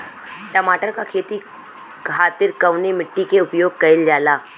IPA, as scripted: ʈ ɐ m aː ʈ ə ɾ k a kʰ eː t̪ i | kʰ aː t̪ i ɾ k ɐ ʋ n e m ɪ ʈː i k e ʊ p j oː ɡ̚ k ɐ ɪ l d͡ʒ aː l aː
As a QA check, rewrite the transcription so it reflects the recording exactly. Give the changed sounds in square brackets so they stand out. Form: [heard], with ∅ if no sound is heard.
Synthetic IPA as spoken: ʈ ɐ m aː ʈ ə ɾ k a kʰ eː t̪ i | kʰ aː t̪ [ɪ] ɾ k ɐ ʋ n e m ɪ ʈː i k e ʊ p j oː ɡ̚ k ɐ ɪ l d͡ʒ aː l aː

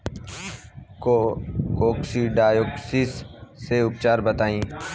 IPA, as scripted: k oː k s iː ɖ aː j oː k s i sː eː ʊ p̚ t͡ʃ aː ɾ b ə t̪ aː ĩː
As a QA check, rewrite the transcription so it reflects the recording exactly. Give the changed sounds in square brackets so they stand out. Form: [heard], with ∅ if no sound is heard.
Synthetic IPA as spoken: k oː k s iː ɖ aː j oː k s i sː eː ʊ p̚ t͡ʃ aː ɾ b ə t̪ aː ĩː

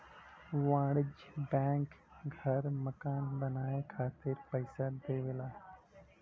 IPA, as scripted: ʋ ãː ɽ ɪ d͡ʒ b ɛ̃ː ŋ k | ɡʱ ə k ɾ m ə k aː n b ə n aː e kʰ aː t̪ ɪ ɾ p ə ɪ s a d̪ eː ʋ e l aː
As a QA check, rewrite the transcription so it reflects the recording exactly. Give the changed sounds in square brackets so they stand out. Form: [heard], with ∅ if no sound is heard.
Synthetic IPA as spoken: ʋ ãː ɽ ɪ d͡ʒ b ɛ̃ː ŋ k | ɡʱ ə [∅] ɾ m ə k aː n b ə n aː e kʰ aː t̪ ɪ ɾ p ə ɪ s a d̪ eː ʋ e l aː

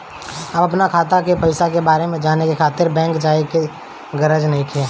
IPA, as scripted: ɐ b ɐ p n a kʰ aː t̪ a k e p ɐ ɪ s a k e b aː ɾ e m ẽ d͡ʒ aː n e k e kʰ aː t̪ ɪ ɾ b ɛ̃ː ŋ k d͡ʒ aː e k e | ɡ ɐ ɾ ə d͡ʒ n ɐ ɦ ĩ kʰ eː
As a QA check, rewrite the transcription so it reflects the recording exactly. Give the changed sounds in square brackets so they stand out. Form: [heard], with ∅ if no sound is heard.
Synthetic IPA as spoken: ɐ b ɐ p n a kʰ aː t̪ a k e p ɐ ɪ s a k e b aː ɾ e m ẽ d͡ʒ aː n e k e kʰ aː t̪ ɪ ɾ b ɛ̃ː ŋ k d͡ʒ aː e k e | ɡ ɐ ɾ ə d͡ʒ n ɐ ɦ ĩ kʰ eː

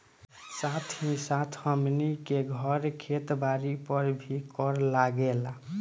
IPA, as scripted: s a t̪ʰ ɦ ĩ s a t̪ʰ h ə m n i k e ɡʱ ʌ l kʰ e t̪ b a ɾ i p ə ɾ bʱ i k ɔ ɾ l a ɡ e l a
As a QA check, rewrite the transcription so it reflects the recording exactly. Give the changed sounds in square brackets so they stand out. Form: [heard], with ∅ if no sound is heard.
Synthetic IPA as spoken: s a t̪ʰ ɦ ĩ s a t̪ʰ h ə m n i k e ɡʱ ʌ [ɾ] kʰ e t̪ b a ɾ i p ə ɾ bʱ i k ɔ ɾ l a ɡ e l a

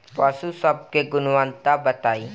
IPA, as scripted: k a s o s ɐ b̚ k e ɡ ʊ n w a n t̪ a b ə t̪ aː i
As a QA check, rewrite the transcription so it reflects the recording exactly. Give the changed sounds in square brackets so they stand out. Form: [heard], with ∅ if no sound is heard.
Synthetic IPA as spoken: [p] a s [u] s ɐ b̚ k e ɡ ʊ n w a n t̪ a b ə t̪ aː i

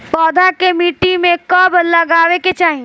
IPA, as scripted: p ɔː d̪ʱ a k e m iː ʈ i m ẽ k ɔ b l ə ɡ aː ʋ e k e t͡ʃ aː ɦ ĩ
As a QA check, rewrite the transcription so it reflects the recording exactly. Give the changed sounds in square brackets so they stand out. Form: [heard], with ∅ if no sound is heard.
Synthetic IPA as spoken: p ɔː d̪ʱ a k e m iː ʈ i m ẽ k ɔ b l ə ɡ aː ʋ e k e t͡ʃ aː ɦ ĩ

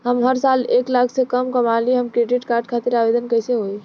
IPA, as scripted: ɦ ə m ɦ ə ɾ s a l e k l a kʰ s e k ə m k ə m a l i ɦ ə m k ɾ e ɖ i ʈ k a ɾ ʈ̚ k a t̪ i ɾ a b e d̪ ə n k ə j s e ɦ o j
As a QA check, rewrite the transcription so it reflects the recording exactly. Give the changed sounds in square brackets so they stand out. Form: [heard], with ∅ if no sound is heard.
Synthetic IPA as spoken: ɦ ə m ɦ ə ɾ s a l e k l a kʰ s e k ə m k ə m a l i ɦ ə m k ɾ e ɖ i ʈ k a ɾ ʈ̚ [kʰ] a t̪ i ɾ a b e d̪ ə n k ə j s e ɦ o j

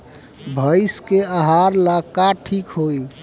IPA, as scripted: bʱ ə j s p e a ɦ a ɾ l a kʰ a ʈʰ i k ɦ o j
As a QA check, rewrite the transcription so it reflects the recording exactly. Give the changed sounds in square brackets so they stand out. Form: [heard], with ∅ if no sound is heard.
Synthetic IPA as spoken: bʱ ə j s [k] e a ɦ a ɾ l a [k] a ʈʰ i k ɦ o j

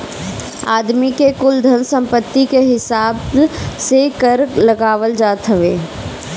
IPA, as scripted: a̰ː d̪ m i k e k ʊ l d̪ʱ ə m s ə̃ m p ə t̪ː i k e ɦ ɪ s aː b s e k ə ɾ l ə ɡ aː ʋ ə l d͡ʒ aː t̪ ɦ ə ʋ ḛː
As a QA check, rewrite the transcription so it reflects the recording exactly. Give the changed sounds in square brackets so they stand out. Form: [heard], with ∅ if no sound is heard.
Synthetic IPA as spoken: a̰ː d̪ m i k e k ʊ l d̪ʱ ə [n] s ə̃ m p ə t̪ː i k e ɦ ɪ s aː b s e k ə ɾ l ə ɡ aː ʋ ə l d͡ʒ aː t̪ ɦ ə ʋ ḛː

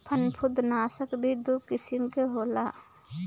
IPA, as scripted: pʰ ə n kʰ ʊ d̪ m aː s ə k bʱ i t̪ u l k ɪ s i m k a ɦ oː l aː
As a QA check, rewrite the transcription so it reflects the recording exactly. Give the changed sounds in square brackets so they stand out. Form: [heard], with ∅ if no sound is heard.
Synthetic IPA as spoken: pʰ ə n [pʰ] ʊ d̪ [n] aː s ə k bʱ i [d̪] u [∅] k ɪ s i m k [e] ɦ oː l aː

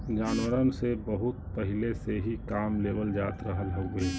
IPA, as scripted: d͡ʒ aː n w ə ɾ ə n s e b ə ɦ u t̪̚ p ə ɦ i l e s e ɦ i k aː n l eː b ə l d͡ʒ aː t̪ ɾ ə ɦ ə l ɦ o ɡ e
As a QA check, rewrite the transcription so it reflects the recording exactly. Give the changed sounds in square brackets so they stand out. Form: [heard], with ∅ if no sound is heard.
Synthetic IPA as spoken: d͡ʒ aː n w ə ɾ ə n s e b ə ɦ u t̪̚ p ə ɦ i l e s e ɦ i k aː [m] l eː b ə l d͡ʒ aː t̪ ɾ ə ɦ ə l ɦ o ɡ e

